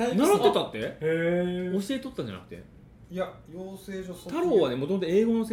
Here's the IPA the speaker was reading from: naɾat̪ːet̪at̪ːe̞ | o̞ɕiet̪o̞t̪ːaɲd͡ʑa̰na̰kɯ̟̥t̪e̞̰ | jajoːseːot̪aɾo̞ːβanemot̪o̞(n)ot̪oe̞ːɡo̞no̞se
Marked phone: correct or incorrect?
incorrect